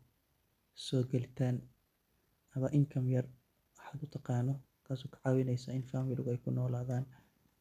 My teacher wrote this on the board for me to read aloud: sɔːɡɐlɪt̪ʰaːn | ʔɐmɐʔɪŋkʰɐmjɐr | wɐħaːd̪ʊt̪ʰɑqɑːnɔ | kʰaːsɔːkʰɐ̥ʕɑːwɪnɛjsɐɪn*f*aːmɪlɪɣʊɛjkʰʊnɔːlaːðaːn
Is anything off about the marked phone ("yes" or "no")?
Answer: no